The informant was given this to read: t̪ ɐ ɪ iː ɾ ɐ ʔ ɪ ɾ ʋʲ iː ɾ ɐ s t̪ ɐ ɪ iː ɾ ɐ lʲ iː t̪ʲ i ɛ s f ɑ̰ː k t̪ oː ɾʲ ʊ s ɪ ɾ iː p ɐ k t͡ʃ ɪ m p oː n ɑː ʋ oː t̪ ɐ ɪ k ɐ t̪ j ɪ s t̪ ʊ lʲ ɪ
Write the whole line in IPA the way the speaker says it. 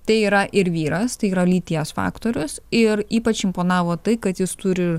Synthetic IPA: t̪ ɐ ɪ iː ɾ ɐ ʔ ɪ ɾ ʋʲ iː ɾ ɐ s t̪ ɐ ɪ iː ɾ ɐ lʲ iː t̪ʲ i ɛ s f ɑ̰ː k t̪ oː ɾʲ ʊ s ɪ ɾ iː p ɐ t͡ʃ ɪ m p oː n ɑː ʋ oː t̪ ɐ ɪ k ɐ t̪ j ɪ s t̪ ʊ ɾʲ ɪ